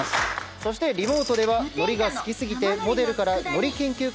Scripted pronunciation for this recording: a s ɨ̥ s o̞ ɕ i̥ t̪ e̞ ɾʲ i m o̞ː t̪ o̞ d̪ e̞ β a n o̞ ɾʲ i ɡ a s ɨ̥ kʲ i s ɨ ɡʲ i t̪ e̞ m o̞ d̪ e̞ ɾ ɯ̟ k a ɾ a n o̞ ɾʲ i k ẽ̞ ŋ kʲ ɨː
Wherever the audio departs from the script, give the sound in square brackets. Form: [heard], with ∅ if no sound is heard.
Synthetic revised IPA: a s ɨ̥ s o̞ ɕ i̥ t̪ e̞ ɾʲ i m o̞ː t̪ o̞ d̪ e̞ β a n o̞ ɾʲ i ɡ a s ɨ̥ kʲ i s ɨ ɡʲ i t̪ e̞ m o̞ d̪ e̞ ɾ ɯ̟ k a ɾ a n o̞ ɾʲ i k ẽ̞ ŋ kʲ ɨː